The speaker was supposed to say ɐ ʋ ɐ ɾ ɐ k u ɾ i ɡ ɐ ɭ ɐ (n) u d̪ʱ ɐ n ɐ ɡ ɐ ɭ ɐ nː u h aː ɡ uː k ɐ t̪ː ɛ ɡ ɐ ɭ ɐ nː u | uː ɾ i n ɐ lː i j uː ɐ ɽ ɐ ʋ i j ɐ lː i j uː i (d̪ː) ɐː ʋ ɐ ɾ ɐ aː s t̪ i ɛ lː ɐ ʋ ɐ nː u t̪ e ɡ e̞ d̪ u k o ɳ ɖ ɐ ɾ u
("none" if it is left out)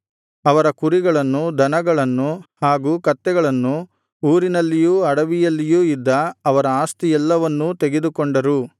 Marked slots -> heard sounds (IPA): nː, d̪ː

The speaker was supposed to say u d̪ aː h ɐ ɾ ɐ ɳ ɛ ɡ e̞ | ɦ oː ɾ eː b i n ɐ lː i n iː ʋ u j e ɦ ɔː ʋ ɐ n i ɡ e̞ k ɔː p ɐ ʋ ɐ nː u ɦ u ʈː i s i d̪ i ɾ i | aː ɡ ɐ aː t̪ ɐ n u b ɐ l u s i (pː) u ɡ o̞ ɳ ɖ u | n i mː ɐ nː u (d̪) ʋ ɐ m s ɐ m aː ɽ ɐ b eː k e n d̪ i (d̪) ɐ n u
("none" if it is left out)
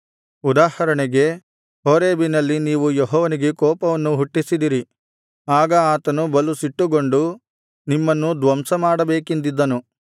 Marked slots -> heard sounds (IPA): ʈː, d̪, d̪ː

